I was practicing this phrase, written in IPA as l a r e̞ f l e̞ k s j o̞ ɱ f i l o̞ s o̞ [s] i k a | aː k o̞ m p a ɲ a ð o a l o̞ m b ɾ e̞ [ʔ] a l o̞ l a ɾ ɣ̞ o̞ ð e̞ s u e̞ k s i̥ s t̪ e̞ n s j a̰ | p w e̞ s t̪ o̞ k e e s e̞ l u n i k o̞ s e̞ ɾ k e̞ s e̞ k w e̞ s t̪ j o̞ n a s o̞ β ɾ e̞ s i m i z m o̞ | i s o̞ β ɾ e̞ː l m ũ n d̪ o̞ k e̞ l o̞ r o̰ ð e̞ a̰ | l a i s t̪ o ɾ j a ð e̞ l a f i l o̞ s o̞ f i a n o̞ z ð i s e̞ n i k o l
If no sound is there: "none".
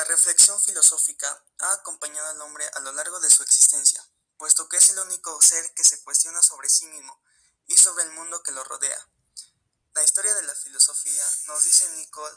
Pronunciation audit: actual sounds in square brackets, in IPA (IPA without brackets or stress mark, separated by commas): f, ʔ